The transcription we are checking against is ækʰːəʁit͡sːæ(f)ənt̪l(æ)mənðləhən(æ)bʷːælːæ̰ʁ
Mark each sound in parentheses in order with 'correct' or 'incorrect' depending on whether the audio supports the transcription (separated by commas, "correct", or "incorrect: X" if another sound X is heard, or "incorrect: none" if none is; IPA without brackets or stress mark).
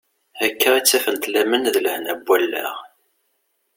correct, correct, correct